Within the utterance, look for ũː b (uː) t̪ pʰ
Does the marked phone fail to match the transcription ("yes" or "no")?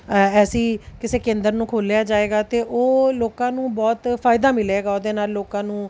yes